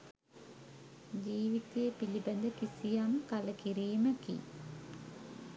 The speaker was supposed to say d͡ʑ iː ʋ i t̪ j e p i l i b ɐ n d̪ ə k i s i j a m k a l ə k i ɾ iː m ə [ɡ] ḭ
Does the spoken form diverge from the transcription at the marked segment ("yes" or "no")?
yes